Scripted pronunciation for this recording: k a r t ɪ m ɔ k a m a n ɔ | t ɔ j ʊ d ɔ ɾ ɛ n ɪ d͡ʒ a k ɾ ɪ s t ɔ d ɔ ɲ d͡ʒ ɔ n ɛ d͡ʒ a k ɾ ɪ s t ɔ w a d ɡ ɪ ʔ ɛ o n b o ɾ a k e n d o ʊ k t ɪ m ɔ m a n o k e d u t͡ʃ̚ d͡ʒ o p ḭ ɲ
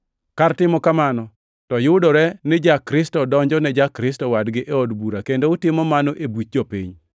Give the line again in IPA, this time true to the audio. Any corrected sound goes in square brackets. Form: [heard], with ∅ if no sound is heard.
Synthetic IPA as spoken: k a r t ɪ m ɔ k a m a n ɔ | t ɔ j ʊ d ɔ ɾ ɛ n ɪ d͡ʒ a k ɾ ɪ s t ɔ d ɔ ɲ d͡ʒ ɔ n ɛ d͡ʒ a k ɾ ɪ s t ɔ w a d ɡ ɪ ʔ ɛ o [d] b [u] ɾ a k e n d o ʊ [∅] t ɪ m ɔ m a n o [ʔ] e [b] u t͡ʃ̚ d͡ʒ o p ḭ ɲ